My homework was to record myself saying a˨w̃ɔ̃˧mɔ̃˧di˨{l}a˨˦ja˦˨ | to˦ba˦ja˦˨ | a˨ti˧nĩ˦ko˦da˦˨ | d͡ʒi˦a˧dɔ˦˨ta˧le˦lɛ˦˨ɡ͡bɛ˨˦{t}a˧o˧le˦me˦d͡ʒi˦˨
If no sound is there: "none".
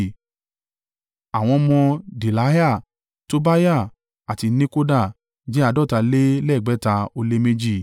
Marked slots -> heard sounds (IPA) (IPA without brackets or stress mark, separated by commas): l, t